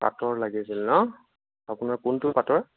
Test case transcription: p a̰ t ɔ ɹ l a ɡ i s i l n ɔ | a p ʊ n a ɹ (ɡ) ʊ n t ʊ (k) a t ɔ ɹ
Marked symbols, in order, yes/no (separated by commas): no, no